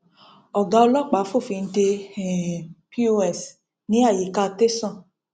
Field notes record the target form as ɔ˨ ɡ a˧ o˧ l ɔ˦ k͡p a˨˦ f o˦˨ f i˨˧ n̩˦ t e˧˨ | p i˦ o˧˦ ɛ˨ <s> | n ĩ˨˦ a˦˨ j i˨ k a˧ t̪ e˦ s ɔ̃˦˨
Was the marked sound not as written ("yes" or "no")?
no